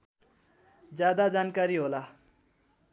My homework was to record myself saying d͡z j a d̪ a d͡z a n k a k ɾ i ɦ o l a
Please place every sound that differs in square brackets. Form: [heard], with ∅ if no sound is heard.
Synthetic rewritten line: d͡z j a d̪ a d͡z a n k a [∅] ɾ i ɦ o l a